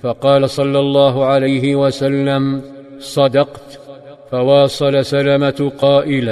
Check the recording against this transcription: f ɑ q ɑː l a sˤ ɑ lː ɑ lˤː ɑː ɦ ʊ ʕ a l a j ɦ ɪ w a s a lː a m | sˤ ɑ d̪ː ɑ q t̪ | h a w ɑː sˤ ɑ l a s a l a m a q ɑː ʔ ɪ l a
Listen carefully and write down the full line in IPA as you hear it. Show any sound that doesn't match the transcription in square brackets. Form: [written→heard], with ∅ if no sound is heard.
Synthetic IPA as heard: f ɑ q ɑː l a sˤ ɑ lː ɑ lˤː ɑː ɦ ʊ ʕ a l a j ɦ ɪ w a s a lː a m | sˤ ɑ [d̪ː→d̪] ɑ q t̪ | [h→f] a w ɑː sˤ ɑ l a s a l a m a q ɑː ʔ ɪ l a